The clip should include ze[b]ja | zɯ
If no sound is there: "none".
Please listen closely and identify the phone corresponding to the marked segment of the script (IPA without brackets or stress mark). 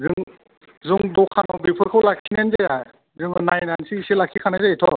none